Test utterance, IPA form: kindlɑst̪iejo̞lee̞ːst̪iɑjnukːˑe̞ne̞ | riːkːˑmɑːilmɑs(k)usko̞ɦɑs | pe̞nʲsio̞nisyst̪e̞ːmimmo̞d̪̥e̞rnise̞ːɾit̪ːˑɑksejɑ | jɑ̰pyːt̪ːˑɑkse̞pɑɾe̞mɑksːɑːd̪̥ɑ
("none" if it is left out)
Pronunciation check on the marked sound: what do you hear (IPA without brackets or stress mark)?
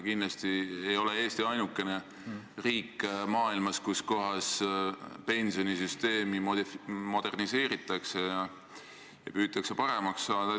k